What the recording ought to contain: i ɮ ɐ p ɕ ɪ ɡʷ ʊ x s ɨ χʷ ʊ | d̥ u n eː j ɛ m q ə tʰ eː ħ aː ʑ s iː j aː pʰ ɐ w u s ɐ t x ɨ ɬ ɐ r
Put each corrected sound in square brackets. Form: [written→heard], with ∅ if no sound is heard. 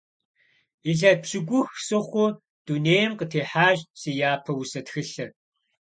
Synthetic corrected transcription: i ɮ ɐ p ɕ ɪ ɡʷ ʊ x s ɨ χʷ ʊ | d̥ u n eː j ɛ m q ə tʰ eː ħ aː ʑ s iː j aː pʰ ɐ w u s ɐ t x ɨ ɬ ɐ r